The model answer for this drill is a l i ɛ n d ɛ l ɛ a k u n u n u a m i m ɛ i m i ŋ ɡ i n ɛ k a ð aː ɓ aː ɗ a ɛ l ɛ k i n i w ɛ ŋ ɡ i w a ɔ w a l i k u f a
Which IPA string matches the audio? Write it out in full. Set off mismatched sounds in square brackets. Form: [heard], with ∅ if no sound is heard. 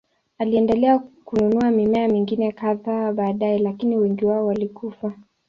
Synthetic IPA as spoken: a l i ɛ n d ɛ l ɛ a k u n u n u a m i m ɛ [a] m i ŋ ɡ i n ɛ k a ð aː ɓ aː ɗ a ɛ l [a] k i n i w ɛ ŋ ɡ i w a ɔ w a l i k u f a

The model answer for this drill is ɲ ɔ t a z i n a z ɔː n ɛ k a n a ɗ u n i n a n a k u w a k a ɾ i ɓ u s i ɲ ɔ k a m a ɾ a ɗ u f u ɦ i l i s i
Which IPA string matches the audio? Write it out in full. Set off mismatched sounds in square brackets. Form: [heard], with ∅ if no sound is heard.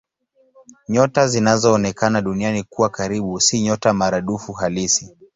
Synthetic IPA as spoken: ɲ ɔ t a z i n a z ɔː n ɛ k a n a ɗ u n i [∅] a n [i] k u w a k a ɾ i ɓ u s i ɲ ɔ [t] a m a ɾ a ɗ u f u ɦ [a] l i s i

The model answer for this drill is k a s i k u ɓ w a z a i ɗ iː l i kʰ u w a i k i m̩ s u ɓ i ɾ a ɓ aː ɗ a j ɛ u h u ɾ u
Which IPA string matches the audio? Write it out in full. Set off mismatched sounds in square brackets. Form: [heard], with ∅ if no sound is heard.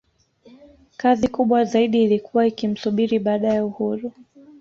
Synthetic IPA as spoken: k a [z] i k u ɓ w a z a i ɗ iː l i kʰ u w a i k i m̩ s u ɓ i ɾ [i] ɓ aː ɗ a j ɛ u h u ɾ u

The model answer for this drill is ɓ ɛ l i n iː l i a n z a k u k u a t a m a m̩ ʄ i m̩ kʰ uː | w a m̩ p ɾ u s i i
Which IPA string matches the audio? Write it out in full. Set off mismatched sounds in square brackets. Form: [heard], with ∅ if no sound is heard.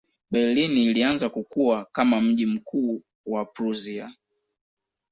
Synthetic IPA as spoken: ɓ ɛ l i n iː l i a n z a k u k u a [k] a m a m̩ ʄ i m̩ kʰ uː | w a [∅] p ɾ u [z] i [a]

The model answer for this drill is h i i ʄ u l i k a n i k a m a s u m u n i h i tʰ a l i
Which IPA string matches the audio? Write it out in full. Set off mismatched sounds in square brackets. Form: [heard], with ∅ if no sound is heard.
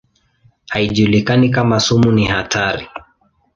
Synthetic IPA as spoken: h [a] i ʄ u l i k a n i k a m a s u m u n i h [a] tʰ a [ɾ] i

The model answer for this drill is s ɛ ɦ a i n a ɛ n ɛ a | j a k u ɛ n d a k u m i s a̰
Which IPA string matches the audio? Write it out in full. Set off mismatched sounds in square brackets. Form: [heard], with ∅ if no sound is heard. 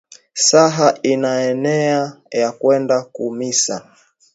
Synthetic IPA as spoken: s [a] ɦ a i n a ɛ n ɛ a | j a k [w] ɛ n d a k u m i s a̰

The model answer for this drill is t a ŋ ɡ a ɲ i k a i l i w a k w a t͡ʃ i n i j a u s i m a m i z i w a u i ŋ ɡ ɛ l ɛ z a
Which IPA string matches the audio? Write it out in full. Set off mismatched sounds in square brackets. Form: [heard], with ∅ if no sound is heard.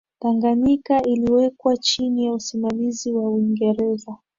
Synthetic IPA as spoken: t a ŋ ɡ a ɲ i k a i l i w [ɛ] k w a t͡ʃ i n i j a u s i m a m i z i w a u i ŋ ɡ ɛ [ɾ] ɛ z a

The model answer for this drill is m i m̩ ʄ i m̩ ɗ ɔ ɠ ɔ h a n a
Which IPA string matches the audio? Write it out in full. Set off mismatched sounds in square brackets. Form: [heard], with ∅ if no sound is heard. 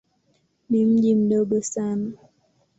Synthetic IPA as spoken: [n] i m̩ ʄ i m̩ ɗ ɔ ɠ ɔ [s] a n a

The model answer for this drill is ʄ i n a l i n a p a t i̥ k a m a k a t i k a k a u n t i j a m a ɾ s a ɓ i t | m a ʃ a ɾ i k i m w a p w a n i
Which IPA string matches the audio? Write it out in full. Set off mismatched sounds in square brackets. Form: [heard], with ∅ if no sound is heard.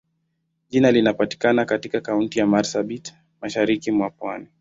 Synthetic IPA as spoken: ʄ i n a l i n a p a t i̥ k a [n] a k a t i k a k a u n t i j a m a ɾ s a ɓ i t | m a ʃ a ɾ i k i m w a p w a n i

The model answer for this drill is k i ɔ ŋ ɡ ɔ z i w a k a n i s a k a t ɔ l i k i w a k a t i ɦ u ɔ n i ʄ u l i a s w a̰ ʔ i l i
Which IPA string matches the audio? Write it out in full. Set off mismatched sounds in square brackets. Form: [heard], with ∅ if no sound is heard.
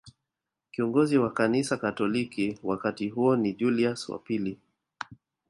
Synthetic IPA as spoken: k i ɔ ŋ ɡ ɔ z i w a k a n i s a k a t ɔ l i k i w a k a t i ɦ u ɔ n i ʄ u l i a s w a̰ [p] i l i

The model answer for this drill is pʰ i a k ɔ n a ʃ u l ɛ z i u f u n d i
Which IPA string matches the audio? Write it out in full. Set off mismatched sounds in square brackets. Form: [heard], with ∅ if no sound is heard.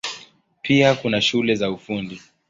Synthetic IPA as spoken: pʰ i a k [u] n a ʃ u l ɛ z [a] u f u n d i

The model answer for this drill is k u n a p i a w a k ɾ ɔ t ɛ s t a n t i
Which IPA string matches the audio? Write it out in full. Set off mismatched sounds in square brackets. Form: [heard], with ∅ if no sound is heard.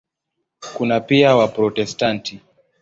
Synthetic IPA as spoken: k u n a p i a w a [p] ɾ ɔ t ɛ s t a n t i

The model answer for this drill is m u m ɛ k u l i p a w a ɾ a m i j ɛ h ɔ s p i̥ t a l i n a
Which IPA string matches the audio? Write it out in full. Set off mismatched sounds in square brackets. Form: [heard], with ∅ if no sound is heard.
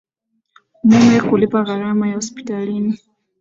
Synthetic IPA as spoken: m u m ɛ k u l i p a [ɣ] a ɾ a m [a] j [a] h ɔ s p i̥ t a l i n [i]

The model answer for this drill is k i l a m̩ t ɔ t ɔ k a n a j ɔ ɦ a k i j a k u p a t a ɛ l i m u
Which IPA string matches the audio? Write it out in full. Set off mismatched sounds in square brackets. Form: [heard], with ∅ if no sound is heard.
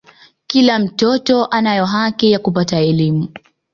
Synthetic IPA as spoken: k i l a m̩ t ɔ t ɔ [ʔ] a n a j ɔ ɦ a k i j a k u p a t a ɛ l i m u

